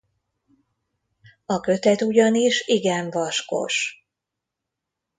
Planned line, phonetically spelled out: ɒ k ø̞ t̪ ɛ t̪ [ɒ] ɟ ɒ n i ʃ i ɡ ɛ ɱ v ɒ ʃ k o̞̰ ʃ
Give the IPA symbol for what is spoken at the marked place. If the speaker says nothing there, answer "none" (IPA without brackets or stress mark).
u